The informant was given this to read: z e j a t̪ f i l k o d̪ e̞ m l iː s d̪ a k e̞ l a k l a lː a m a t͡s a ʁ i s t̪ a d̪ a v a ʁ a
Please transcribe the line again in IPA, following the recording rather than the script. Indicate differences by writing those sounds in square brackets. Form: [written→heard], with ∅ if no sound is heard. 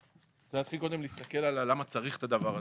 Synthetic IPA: z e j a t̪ [f→χ] i l k o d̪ e̞ m l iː s [d̪→t̪] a k e̞ l a [k→∅] l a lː a m a t͡s a ʁ i [s→χ] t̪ a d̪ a v a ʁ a

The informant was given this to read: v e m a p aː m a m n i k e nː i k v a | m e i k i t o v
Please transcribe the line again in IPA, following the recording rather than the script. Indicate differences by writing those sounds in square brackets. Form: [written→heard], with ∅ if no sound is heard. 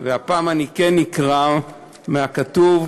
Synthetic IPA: v e [m→∅] a p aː m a [m→∅] n i k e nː i k [v→ʁ] a | m e [i→a] k [i→a] t [o→u] v

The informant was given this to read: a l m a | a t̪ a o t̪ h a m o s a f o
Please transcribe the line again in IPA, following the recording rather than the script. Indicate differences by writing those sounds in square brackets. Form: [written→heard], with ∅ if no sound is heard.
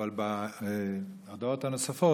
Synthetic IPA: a l [m→b] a | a [t̪→d̪] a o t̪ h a [m→n] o s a f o

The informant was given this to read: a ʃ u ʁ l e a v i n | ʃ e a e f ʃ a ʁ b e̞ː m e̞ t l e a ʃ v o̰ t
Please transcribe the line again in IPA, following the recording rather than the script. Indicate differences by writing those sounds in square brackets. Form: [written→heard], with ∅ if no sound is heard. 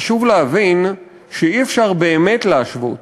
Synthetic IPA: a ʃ u [ʁ→v] l e a v i n | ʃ e [a→i] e f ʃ a ʁ b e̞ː m e̞ t l e a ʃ v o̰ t

